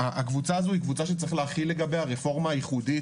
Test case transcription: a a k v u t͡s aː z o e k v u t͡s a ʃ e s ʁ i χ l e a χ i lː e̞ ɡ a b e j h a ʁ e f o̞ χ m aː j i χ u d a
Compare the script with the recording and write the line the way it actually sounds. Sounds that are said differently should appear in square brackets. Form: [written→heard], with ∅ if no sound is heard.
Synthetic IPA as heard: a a k v u t͡s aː z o [e→i] k v u t͡s a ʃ e [s→t͡s] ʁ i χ l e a χ i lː e̞ ɡ a b e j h a ʁ e f o̞ [χ→ʁ] m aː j i χ u d [a→i]